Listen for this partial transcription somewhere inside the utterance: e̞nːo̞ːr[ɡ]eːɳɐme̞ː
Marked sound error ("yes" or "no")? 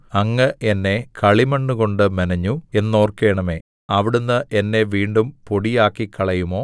yes